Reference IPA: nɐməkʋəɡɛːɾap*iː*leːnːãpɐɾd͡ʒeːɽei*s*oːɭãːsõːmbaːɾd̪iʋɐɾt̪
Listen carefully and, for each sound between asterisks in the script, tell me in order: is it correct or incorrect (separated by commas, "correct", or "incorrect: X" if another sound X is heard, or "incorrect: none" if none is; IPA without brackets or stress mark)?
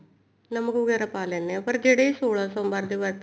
incorrect: aː, correct